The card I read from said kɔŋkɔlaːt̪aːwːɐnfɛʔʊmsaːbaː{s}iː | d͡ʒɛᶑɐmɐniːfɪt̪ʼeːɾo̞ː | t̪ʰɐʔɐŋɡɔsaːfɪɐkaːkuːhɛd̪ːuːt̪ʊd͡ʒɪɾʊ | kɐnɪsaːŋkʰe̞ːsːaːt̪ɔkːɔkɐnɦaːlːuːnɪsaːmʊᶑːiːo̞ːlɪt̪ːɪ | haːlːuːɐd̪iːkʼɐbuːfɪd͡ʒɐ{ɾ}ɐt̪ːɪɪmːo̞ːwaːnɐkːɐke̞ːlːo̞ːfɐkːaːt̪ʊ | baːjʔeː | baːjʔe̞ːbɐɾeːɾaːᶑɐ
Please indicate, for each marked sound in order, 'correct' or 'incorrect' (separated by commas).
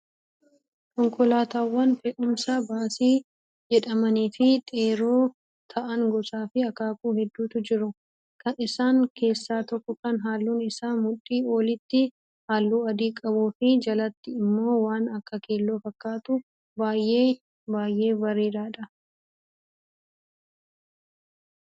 correct, incorrect